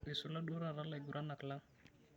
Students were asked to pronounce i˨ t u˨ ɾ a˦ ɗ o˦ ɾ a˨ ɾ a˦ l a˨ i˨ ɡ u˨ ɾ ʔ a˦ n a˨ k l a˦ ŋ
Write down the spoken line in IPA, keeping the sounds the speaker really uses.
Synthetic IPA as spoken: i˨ s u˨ l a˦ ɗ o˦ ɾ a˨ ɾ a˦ l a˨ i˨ ɡ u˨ ɾ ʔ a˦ n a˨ k l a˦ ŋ

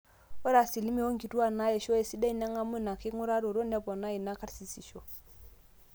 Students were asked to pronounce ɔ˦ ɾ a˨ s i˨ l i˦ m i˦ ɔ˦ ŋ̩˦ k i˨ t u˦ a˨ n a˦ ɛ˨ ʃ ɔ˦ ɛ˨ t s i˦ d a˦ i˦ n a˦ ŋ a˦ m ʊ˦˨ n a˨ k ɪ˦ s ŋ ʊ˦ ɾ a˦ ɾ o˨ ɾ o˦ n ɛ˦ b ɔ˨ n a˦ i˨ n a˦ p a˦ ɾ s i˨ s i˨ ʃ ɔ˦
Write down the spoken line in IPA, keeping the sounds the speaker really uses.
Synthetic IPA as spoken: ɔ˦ ɾ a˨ s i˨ l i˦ m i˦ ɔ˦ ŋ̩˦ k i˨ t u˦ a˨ n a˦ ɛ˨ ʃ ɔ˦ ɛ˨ s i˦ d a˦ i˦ n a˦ ŋ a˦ m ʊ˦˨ n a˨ k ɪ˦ ŋ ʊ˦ ɾ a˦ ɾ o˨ ɾ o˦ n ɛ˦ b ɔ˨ n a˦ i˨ n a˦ k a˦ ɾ s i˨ s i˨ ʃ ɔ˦

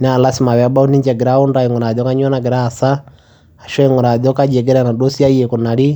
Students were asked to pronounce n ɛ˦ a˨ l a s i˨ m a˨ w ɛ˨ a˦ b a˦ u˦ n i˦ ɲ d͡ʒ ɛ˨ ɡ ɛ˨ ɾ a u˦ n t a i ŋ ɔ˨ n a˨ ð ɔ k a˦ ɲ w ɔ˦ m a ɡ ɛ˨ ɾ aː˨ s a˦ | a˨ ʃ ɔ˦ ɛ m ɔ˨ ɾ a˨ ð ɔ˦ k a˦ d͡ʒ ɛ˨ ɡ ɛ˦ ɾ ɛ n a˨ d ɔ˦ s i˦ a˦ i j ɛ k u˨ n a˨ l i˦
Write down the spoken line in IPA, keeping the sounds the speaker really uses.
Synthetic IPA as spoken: n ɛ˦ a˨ l a s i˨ m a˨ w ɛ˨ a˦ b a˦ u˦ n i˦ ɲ d͡ʒ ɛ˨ ɡ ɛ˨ ɾ a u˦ n d a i ŋ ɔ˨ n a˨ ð ɔ k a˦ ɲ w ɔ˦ n a ɡ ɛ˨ ɾ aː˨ s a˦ | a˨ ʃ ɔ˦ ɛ ŋ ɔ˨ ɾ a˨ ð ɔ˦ k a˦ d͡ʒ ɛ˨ ɡ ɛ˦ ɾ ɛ n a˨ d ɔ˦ s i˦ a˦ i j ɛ k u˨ n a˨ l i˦

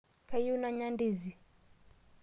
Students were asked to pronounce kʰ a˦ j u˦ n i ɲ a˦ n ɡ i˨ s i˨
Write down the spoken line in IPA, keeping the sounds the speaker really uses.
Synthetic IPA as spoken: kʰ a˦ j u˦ n a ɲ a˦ n d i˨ z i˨

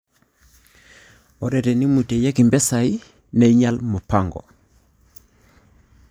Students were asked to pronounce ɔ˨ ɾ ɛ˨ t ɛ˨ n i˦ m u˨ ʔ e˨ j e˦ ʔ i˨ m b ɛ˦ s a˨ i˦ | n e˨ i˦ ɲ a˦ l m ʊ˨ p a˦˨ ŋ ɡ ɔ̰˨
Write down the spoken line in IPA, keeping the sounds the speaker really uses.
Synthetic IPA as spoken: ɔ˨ ɾ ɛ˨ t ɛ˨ n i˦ m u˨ t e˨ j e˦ k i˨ m b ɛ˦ s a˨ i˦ | n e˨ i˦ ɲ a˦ l m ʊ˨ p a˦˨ ŋ ɡ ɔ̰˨

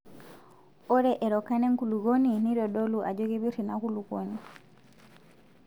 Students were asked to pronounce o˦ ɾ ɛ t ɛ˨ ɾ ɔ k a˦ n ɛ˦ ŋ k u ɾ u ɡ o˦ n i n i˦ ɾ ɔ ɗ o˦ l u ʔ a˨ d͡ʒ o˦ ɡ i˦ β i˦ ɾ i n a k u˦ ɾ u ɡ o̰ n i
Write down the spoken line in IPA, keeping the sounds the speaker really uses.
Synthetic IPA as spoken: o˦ ɾ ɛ ʔ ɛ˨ ɾ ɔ k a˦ n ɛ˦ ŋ k u l u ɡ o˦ n i n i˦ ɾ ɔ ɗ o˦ l u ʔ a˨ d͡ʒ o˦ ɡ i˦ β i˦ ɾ i n a k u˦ l u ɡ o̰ n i

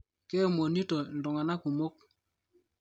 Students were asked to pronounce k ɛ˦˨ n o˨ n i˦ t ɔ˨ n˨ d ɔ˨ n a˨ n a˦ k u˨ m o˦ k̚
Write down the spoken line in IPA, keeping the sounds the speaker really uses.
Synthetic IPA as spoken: k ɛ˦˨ m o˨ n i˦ t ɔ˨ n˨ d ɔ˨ ŋ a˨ n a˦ k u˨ m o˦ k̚

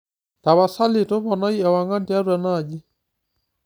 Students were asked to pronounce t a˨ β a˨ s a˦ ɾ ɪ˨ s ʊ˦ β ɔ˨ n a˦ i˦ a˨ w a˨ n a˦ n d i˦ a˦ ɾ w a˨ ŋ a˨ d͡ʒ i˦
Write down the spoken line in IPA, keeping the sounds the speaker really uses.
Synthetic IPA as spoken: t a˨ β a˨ s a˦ l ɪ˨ t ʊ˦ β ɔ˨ n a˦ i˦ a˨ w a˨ ŋ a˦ n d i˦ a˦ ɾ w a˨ n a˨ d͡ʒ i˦

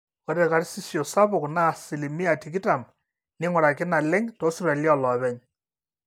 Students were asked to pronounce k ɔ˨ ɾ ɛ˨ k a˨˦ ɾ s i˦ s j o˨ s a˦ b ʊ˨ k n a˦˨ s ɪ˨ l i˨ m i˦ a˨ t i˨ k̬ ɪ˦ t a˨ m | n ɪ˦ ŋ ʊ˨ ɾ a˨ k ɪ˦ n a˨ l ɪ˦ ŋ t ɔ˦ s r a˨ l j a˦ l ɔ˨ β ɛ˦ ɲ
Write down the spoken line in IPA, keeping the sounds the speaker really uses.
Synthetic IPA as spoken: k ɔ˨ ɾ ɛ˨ k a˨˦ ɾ s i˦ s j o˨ s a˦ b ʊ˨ k n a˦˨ s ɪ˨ l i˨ m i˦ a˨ t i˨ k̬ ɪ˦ t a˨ m | n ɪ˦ ŋ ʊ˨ ɾ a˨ k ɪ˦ n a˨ l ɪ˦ ŋ t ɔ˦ s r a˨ l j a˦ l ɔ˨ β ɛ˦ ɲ

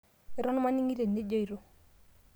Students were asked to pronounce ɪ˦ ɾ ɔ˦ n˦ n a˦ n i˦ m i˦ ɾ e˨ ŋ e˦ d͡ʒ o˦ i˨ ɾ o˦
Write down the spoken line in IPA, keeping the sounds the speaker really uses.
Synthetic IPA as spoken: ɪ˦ ɾ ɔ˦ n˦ m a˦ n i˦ ŋ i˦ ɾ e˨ n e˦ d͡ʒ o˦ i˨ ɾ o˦

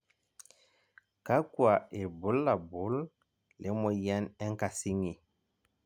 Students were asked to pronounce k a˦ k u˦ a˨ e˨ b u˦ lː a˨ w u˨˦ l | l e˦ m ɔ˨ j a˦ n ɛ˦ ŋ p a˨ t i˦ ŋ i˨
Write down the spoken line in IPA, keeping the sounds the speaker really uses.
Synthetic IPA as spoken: k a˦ k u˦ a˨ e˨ b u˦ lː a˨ b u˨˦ l | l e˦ m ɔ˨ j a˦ n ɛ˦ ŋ k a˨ s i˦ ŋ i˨

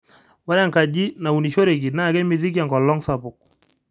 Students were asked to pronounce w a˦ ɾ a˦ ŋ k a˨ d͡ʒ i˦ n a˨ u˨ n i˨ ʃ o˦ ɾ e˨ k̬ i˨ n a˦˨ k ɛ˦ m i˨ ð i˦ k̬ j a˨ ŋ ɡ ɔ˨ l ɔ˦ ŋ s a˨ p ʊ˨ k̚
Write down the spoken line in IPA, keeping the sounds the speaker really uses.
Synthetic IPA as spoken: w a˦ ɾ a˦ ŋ k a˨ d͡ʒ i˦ n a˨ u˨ n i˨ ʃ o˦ ɾ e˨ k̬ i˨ n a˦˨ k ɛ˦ m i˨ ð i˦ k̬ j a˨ ŋ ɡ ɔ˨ l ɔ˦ ŋ s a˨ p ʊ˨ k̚

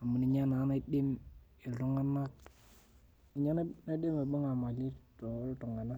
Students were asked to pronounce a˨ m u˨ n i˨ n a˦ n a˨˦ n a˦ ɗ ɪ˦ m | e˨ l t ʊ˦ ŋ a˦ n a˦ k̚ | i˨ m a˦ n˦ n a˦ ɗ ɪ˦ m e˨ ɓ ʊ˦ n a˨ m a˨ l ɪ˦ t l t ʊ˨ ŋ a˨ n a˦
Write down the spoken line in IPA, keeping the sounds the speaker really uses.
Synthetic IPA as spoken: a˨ m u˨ n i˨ ɲ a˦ n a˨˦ n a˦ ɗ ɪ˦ m | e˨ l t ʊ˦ ŋ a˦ n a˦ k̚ | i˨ ɲ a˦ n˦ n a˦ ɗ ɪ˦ m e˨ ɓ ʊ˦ ŋ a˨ m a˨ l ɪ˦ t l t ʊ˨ ŋ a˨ n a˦

